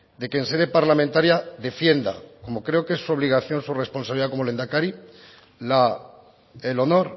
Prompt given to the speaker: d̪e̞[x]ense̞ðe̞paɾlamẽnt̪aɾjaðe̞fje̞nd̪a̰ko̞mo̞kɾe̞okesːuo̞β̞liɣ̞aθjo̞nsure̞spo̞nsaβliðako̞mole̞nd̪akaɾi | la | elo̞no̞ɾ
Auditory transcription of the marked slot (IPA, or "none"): k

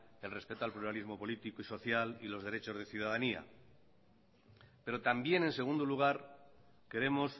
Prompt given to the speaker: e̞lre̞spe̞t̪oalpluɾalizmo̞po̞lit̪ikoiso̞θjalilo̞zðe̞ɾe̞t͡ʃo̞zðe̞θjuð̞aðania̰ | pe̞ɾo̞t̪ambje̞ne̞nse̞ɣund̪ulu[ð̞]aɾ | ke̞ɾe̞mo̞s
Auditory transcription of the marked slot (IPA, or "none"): ɣ̞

